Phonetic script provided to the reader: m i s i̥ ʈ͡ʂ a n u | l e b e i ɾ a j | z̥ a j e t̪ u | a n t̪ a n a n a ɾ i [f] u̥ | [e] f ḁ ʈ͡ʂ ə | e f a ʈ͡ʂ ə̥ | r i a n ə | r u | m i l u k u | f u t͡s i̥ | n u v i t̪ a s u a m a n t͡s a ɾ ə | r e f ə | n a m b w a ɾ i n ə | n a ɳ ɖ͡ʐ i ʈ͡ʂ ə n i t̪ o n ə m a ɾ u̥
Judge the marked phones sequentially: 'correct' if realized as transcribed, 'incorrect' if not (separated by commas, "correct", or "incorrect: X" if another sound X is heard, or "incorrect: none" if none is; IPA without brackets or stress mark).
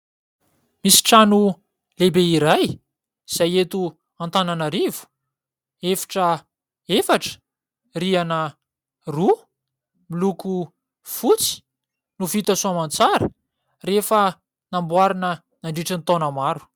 incorrect: v, correct